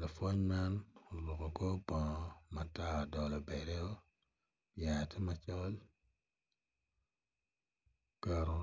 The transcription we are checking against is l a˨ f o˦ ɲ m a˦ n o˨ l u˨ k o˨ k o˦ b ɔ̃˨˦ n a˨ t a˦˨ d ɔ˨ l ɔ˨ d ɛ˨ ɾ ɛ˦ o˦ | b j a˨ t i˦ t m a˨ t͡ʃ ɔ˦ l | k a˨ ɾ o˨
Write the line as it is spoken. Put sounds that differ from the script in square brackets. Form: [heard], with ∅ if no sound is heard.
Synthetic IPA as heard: l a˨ f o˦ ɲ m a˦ n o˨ l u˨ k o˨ k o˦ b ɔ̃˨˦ [m] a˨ t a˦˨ d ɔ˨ l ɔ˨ [b] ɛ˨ ɾ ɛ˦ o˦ | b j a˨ t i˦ [∅] m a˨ t͡ʃ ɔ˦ l | k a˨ ɾ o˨